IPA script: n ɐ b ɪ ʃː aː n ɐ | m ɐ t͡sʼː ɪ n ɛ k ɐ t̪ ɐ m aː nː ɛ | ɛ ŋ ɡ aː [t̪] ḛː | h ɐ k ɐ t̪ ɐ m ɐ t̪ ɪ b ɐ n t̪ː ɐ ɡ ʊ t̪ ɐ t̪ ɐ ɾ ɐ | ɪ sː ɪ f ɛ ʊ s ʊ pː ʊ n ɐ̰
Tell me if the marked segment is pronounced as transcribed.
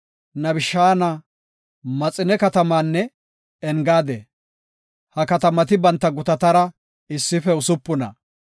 no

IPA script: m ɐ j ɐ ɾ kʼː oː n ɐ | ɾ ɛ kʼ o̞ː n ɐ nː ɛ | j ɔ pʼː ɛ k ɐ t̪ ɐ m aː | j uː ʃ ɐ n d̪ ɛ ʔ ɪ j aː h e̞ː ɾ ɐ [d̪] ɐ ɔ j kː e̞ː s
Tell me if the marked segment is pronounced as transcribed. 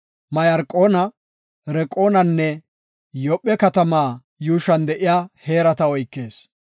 no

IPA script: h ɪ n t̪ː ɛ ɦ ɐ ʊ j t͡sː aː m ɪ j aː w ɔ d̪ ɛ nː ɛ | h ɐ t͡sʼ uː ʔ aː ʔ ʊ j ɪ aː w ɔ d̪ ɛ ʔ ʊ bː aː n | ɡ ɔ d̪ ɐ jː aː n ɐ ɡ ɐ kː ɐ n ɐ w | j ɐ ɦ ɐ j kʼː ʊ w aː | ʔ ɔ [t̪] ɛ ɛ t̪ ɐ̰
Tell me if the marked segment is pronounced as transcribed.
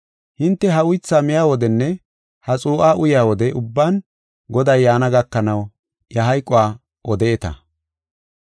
no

